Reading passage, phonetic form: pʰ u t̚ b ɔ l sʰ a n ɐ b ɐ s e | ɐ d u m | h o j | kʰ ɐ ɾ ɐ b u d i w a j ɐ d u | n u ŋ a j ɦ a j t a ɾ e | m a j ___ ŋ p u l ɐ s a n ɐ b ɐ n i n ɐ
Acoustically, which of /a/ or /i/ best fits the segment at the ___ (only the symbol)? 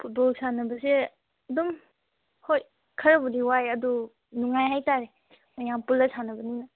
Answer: a